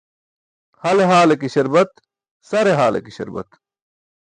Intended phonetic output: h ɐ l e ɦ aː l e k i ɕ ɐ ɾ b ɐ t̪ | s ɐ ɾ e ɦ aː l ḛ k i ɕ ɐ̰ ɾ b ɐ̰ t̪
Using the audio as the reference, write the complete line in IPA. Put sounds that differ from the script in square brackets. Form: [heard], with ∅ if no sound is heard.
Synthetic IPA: h ɐ l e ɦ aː l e k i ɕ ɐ ɾ b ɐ t̪ | s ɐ ɾ e ɦ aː l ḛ k i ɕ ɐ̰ ɾ b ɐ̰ t̪